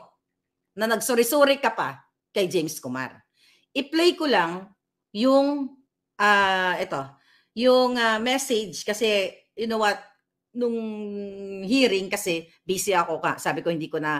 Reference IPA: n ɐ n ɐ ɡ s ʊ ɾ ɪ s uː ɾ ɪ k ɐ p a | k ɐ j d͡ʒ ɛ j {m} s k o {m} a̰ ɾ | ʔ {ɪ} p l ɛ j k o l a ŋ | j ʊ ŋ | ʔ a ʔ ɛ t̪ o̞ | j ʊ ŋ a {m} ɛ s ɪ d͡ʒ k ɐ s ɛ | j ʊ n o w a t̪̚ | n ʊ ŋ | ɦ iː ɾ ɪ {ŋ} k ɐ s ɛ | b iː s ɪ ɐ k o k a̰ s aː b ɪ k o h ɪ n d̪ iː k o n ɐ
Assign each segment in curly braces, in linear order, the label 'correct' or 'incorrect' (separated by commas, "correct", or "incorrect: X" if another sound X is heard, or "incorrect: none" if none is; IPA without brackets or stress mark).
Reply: correct, correct, correct, correct, correct